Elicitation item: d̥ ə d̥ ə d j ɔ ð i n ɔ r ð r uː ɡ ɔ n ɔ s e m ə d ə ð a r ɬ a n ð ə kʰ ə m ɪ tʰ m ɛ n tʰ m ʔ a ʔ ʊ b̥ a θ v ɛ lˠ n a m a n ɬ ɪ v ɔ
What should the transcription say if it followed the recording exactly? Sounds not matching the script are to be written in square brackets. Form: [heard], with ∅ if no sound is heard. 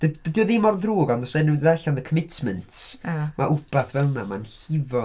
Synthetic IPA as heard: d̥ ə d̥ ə d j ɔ ð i [m] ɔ r ð r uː ɡ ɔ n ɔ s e [n] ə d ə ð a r ɬ a n ð ə kʰ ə m ɪ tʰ m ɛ n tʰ m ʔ a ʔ ʊ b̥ a θ v ɛ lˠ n a m a n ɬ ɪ v ɔ